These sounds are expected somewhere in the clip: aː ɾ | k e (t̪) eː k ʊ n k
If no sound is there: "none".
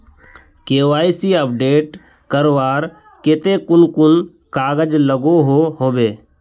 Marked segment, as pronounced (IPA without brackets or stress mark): t̪